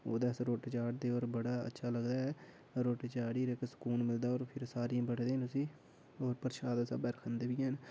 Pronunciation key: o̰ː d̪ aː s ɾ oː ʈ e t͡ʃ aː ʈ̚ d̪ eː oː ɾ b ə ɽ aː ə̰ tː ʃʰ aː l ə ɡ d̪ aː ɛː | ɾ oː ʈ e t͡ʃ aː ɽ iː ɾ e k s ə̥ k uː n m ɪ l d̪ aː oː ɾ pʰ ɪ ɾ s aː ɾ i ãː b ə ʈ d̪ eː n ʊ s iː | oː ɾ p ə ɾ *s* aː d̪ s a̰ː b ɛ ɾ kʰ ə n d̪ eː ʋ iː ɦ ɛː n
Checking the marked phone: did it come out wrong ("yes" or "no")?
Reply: yes